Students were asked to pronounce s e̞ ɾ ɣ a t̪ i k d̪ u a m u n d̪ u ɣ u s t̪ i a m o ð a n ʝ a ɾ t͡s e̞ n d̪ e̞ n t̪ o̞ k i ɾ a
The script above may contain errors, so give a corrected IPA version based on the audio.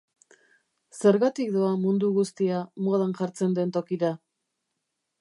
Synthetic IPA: s e̞ ɾ ɣ a t̪ i k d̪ o a m u n d̪ u ɣ u s t̪ i a m o ð a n ʝ a ɾ t͡s e̞ n d̪ e̞ n t̪ o̞ k i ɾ a